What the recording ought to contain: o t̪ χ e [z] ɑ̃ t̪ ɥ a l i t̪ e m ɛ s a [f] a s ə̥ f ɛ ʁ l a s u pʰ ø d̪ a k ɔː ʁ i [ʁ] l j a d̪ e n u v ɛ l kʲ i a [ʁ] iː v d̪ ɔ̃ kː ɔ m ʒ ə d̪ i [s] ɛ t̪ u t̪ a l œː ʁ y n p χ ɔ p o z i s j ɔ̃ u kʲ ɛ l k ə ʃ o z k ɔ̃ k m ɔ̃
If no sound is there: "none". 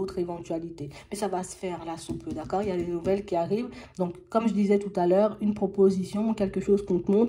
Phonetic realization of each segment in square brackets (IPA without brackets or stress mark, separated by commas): v, v, none, ʁ, z